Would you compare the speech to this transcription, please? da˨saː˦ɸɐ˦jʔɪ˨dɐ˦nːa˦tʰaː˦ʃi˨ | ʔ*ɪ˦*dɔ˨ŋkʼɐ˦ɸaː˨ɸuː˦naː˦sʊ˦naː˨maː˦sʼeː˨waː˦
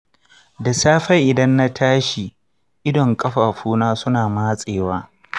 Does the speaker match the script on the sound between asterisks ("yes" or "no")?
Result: yes